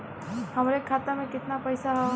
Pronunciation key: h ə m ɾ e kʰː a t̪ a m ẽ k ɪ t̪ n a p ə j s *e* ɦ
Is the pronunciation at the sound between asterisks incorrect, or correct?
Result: incorrect